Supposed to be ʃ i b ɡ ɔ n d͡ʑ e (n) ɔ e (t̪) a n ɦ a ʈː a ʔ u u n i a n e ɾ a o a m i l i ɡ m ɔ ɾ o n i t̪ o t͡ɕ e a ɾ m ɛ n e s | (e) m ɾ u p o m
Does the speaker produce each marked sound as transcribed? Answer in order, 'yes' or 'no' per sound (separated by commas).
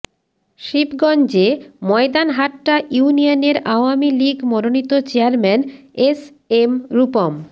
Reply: no, no, yes